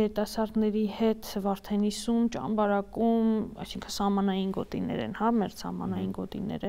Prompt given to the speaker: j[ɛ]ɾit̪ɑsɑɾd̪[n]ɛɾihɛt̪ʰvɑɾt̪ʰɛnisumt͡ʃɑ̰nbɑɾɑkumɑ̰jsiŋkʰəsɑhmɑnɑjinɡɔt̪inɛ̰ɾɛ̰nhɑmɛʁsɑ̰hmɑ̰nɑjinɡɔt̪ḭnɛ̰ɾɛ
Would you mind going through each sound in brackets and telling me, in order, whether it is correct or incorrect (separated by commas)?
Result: correct, correct